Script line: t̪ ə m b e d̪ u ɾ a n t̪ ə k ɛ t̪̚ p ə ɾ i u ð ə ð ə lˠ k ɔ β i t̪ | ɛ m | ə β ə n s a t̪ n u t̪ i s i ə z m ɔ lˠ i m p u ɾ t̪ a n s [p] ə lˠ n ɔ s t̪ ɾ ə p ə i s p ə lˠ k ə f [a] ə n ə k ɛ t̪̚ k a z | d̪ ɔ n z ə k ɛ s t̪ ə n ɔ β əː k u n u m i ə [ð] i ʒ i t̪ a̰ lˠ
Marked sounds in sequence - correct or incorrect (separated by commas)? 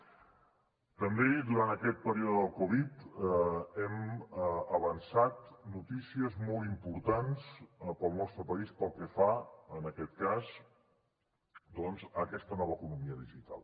correct, correct, correct